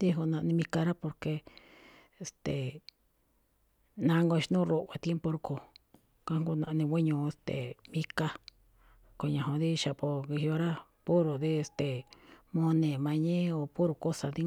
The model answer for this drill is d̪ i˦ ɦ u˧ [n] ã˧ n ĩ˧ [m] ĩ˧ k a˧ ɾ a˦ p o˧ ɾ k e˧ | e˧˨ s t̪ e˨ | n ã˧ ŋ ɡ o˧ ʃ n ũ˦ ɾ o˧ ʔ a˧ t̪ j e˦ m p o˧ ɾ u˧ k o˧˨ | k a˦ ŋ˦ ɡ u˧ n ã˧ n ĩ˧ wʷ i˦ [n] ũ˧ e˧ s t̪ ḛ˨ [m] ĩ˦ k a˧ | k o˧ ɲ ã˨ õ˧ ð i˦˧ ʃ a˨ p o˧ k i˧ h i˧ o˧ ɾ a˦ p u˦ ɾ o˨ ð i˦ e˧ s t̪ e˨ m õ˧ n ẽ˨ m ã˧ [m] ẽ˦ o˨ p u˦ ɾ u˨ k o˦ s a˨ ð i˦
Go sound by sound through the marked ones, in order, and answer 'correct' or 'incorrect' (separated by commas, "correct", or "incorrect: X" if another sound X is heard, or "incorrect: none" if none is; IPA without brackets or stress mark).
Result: correct, correct, incorrect: ɲ, correct, incorrect: ɲ